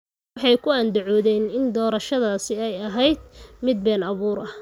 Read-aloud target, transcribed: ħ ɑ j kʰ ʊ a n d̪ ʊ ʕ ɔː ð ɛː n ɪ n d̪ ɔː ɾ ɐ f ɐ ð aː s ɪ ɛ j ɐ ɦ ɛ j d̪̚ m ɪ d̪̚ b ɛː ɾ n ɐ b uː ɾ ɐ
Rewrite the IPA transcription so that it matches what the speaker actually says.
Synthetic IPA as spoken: ħ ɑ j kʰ ʊ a n d̪ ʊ ʕ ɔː ð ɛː n ɪ n d̪ ɔː ɾ ɐ ʃ ɐ ð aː s ɪ ɛ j ɐ ɦ ɛ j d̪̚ m ɪ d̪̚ b ɛː n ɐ β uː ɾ ɐ

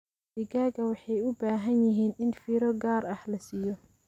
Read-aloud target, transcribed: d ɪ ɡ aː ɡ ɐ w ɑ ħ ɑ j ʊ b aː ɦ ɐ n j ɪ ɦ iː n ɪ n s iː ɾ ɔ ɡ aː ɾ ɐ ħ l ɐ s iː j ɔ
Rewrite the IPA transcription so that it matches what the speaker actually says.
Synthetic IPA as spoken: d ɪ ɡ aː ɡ ɐ w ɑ ħ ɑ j ʊ b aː ɦ ɐ n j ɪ ɦ iː n ɪ n f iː ɾ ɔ ɡ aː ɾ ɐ ħ l ɐ s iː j ɔ

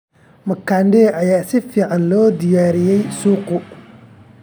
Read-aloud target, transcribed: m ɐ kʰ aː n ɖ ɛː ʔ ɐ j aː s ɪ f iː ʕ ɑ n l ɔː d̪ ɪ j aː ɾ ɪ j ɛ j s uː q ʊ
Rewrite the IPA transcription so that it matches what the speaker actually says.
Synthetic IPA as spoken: m ɐ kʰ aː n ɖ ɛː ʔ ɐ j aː s ɪ f iː ʕ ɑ n l ɔː d̪ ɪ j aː ɾ ɪ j ɛ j s uː q ʊ

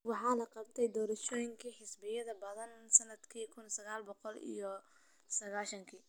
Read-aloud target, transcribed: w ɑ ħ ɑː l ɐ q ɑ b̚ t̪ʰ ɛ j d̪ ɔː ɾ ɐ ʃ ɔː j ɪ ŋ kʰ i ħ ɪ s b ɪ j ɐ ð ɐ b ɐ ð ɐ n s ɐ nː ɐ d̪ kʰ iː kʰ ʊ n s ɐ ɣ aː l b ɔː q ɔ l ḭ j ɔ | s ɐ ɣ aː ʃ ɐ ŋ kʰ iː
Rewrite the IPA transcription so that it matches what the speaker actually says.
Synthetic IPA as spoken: w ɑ ħ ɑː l ɐ q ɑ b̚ t̪ʰ ɛ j d̪ ɔː ɾ ɐ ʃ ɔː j ɪ ŋ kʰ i ħ ɪ s b ɪ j ɐ ð ɐ b ɐ ð ɐ n s ɐ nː ɐ d̪ kʰ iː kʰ ʊ n s ɐ ɣ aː l b ɔ q ɔ l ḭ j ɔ | s ɐ ɣ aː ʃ ɐ ŋ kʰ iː

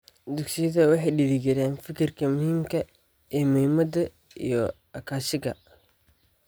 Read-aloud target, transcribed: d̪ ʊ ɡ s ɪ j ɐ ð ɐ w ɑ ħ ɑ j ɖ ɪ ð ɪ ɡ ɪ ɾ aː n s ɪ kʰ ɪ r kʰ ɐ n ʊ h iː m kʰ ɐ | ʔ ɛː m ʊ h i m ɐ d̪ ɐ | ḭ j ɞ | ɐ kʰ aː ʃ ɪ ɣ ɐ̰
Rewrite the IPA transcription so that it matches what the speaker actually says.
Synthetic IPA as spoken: d̪ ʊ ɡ s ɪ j ɐ ð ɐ w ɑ ħ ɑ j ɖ ɪ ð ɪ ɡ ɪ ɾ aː n f ɪ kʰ ɪ r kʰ ɐ m ʊ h iː m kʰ ɐ | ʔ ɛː m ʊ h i m ɐ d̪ ɐ | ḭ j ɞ | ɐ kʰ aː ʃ ɪ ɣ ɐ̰

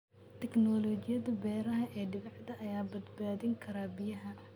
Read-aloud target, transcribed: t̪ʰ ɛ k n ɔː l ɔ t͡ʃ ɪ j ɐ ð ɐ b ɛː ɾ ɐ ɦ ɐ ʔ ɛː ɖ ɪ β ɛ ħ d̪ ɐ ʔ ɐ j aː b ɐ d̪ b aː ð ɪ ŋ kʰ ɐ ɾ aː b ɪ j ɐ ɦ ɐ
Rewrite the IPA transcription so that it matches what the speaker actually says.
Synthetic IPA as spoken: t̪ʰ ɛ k n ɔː l ɔ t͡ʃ ɪ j ɐ ð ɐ b ɛː ɾ ɐ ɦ ɐ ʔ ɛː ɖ ɪ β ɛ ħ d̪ ɐ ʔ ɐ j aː b ɐ d̪ b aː ð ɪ ŋ kʰ ɐ ɾ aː b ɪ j ɐ ɦ ɐ

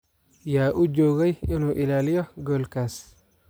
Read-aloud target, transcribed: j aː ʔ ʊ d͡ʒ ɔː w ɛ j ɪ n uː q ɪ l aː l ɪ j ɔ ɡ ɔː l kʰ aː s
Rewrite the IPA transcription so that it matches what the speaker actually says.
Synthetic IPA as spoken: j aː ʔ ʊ d͡ʒ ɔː ɣ ɛ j ɪ n uː ʔ ɪ l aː l ɪ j ɔ ɡ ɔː l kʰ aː s

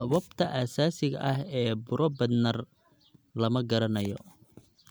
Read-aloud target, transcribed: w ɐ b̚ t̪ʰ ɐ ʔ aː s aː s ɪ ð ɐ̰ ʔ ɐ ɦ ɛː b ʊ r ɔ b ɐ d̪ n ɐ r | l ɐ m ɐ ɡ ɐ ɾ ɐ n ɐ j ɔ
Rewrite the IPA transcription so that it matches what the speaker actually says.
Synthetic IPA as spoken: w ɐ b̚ t̪ʰ ɐ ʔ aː s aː s ɪ ɣ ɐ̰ ʔ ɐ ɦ ɛː b ʊ ɾ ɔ b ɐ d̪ n ɐ r | l ɐ m ɐ ɡ ɐ ɾ ɐ n ɐ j ɔ

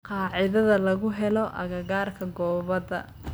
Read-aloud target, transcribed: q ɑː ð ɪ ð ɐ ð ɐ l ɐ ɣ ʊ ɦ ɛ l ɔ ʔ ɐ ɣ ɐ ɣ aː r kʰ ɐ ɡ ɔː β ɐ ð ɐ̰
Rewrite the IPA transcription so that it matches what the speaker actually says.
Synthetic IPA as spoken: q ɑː ʕ ɪ ð ɐ ð ɐ l ɐ ɣ ʊ ɦ ɛ l ɔ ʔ ɐ ɣ ɐ ɣ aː r kʰ ɐ ɡ ɔː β ɐ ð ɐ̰

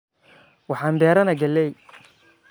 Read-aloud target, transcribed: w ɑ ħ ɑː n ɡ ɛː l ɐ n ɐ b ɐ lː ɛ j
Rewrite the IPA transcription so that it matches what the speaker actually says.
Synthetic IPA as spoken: w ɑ ħ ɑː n b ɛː ɾ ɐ n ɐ ɡ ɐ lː ɛ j

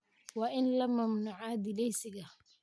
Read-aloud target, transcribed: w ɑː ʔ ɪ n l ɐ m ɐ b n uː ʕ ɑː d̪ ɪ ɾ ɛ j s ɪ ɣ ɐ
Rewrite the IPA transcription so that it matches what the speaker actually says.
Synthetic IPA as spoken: w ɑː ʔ ɪ n l ɐ m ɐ m n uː ʕ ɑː d̪ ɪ l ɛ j s ɪ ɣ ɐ

